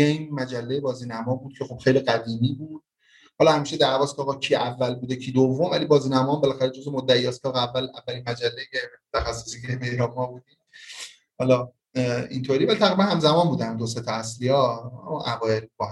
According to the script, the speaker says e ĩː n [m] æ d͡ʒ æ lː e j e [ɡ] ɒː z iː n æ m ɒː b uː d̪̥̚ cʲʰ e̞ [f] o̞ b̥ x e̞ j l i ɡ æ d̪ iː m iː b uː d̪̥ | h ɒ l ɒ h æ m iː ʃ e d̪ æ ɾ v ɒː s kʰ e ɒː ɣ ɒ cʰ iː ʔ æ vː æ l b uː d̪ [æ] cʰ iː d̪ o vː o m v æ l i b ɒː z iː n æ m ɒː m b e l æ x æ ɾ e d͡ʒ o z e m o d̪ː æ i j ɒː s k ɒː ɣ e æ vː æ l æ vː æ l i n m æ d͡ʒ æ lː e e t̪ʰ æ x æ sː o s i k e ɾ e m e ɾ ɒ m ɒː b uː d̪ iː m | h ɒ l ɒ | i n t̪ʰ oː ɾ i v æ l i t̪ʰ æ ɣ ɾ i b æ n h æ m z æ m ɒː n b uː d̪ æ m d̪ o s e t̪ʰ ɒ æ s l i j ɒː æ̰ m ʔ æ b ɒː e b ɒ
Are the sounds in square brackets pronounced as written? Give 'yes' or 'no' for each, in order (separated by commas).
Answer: yes, no, no, no